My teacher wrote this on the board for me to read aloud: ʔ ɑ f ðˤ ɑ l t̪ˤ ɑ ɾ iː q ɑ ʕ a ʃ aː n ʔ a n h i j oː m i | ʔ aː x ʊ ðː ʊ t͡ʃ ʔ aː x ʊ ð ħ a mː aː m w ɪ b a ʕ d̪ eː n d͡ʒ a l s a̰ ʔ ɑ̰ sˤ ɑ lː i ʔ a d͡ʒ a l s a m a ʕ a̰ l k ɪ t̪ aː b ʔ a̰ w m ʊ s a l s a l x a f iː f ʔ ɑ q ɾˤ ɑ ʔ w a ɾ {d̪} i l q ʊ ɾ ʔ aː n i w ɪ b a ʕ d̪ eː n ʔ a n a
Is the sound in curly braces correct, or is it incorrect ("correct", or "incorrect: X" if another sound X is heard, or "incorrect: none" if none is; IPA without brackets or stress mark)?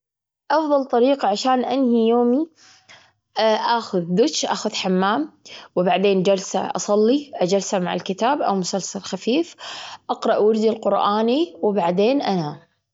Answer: correct